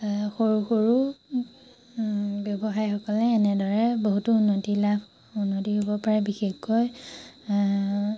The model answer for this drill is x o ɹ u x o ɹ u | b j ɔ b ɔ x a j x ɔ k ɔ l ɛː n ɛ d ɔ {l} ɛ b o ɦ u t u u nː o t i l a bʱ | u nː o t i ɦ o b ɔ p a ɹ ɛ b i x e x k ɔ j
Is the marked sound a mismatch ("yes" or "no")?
yes